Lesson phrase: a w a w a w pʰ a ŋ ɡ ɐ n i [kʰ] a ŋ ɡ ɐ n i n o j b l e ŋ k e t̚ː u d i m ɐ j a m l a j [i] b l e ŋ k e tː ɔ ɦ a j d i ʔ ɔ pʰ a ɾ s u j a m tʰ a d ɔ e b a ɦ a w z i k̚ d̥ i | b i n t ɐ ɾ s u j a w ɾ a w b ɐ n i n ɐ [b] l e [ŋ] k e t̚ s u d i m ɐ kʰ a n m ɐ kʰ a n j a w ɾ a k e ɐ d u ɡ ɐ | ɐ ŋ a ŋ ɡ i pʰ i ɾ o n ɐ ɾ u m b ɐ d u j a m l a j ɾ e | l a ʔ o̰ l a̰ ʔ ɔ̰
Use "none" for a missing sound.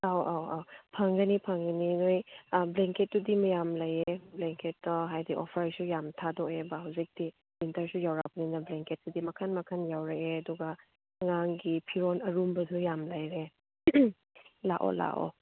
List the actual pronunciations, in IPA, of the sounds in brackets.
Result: pʰ, e, b, ŋ

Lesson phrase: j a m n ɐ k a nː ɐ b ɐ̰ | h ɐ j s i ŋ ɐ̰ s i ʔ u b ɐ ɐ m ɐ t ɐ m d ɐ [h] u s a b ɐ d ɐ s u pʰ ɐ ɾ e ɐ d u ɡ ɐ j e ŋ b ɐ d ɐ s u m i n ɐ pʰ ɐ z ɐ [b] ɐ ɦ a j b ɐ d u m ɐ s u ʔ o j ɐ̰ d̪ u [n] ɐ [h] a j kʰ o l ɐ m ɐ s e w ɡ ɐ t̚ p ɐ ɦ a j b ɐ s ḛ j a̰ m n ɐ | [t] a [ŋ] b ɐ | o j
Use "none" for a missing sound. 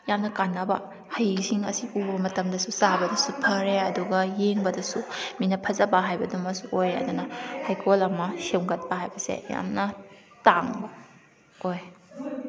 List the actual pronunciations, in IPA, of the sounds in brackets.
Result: s, b, n, h, t, ŋ

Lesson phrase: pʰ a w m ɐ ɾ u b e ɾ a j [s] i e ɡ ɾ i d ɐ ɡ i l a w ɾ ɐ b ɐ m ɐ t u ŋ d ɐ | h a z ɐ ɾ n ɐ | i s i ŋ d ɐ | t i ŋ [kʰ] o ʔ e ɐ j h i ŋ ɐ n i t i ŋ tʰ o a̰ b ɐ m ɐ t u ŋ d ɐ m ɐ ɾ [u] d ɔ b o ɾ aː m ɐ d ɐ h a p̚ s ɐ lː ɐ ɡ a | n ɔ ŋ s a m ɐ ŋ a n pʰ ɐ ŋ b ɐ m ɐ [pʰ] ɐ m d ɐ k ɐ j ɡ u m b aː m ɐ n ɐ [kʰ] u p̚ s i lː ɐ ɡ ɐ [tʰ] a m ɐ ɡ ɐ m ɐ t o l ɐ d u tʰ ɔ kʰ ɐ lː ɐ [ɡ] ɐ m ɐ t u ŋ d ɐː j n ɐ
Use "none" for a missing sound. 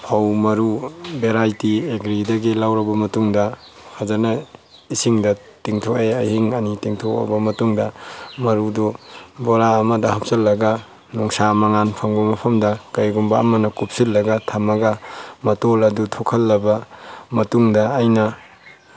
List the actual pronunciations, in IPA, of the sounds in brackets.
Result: t, tʰ, u, pʰ, k, tʰ, b

